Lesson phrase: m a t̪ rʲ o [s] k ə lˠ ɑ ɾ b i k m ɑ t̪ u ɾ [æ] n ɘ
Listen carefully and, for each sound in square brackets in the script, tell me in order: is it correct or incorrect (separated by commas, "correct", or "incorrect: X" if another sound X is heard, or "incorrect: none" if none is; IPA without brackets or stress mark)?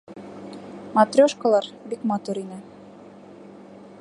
incorrect: ʃ, incorrect: i